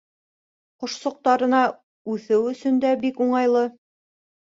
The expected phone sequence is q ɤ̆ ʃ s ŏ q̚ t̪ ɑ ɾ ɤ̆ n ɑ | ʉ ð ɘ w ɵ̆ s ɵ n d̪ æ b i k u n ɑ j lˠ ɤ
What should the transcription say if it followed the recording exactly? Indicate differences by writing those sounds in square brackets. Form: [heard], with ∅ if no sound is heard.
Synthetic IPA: q [ŏ] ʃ s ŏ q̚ t̪ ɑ ɾ ɤ̆ n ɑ | ʉ [θ] ɘ w ɵ̆ s ɵ n d̪ æ b i k u [ɴ] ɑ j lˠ ɤ